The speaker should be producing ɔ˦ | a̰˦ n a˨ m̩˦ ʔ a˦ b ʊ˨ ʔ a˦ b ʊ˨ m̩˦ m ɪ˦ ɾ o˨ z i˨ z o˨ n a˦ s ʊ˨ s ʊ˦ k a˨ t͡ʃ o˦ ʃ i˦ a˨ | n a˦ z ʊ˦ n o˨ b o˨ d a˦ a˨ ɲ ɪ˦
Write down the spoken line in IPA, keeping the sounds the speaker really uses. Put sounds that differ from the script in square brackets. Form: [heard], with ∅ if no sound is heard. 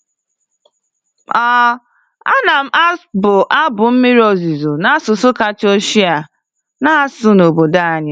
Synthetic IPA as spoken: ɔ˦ | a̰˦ n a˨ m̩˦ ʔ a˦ b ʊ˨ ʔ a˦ b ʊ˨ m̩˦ m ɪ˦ ɾ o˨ z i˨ z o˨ n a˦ s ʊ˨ s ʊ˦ k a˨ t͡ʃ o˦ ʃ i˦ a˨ | n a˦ [s] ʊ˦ n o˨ b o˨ d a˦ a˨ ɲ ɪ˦